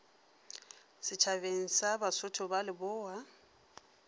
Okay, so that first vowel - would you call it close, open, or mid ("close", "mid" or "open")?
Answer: close